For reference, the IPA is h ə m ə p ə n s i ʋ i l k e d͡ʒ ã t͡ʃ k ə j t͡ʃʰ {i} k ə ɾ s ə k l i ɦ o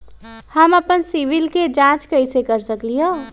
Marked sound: incorrect: e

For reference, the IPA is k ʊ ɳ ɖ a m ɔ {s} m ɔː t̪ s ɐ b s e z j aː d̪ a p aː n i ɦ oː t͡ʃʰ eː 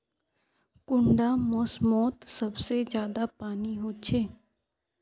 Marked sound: correct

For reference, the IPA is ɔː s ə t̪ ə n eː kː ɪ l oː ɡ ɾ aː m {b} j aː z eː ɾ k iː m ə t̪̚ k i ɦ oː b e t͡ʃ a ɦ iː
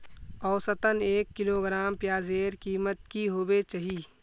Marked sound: incorrect: p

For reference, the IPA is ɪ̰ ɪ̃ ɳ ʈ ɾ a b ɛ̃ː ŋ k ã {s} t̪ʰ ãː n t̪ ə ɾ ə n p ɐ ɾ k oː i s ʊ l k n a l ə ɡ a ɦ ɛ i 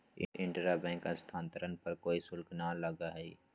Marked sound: correct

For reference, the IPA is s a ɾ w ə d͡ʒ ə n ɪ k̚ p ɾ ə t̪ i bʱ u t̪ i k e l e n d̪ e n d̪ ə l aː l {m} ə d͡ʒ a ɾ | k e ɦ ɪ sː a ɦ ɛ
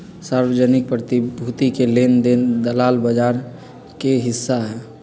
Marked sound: incorrect: b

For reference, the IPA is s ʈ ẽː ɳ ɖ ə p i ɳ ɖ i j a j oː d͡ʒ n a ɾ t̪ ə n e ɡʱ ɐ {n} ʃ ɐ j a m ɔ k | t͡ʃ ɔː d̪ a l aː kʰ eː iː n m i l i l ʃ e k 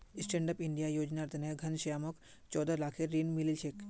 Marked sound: correct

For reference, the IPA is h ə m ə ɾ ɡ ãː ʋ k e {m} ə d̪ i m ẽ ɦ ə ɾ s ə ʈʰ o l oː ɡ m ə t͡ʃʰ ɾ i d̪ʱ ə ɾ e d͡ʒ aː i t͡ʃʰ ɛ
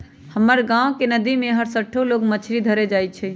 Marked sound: incorrect: n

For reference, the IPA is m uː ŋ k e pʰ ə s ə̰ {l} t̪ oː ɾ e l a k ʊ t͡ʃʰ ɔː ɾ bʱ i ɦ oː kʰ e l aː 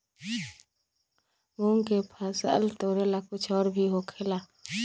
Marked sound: correct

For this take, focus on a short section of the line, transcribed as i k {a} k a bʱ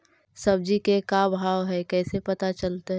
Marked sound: incorrect: e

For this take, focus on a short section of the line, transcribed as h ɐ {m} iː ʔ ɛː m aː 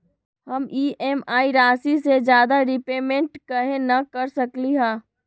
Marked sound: correct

